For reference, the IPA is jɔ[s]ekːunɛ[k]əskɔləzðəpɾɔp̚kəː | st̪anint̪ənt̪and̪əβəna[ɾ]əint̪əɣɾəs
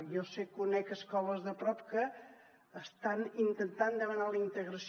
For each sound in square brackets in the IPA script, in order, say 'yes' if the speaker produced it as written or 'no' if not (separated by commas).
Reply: yes, yes, no